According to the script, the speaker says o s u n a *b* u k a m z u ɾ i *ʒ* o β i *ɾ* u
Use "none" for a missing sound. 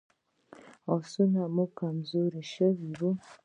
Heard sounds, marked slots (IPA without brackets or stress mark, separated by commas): m, ʃ, ɾ